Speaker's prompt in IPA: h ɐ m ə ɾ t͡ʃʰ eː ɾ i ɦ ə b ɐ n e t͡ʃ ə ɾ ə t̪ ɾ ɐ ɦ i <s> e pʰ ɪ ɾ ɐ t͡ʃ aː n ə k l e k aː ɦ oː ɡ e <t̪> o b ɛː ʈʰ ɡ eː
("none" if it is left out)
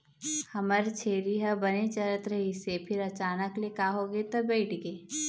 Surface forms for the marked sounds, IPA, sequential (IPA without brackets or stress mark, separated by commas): s, t̪